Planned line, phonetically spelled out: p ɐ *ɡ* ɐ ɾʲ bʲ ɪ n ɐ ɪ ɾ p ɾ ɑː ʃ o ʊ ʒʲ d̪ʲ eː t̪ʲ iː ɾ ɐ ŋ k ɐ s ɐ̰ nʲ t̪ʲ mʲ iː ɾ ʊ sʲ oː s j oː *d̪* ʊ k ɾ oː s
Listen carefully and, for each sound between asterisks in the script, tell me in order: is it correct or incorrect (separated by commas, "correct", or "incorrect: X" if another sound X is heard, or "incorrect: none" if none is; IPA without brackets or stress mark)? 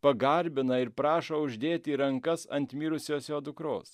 correct, correct